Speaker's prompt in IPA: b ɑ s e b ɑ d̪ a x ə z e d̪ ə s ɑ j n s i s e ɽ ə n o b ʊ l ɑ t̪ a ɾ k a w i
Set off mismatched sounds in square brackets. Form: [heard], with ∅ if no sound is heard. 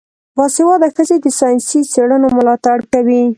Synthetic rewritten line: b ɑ s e [w] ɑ d̪ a x ə z e d̪ ə s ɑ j n s i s e ɽ ə n o [m] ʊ l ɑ t̪ a [ɽ] k a w i